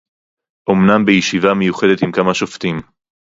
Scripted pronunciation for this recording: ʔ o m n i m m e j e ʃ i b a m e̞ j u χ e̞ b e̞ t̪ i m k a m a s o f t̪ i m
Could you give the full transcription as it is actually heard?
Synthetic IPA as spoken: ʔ o m n a m b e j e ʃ i v a m e̞ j u χ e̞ d e̞ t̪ i m k a m a ʃ o f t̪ i m